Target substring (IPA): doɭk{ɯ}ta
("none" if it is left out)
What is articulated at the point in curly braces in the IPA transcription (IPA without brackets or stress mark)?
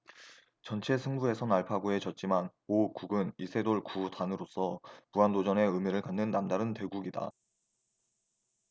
u